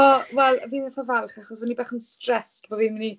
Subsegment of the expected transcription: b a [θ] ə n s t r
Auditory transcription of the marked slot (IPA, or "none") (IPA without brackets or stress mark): χ